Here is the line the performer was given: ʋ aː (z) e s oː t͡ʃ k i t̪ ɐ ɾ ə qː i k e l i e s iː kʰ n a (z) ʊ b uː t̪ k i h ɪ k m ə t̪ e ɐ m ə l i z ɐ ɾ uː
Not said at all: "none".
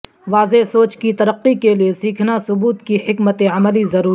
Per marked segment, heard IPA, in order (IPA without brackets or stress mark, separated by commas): z, s